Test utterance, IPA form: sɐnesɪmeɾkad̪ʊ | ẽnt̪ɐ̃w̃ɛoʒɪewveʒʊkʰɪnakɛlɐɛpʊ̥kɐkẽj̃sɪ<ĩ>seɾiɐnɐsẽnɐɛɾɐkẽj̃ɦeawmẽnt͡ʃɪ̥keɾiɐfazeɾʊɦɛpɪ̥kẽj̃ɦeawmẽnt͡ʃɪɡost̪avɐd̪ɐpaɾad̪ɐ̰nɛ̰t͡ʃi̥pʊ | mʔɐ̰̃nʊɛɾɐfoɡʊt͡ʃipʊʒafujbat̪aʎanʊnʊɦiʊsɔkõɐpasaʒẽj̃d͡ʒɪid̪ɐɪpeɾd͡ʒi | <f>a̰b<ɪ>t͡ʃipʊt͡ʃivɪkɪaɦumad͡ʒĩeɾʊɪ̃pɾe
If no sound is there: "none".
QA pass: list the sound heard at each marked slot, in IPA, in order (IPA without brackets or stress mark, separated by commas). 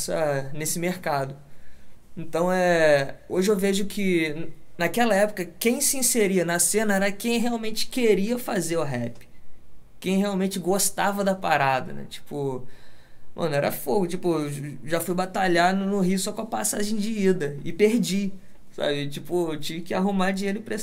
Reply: ĩ, s, ɪ